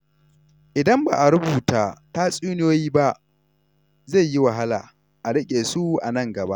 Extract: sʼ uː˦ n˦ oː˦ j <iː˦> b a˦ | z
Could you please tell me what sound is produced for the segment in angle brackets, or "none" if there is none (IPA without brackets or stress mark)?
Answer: iː˦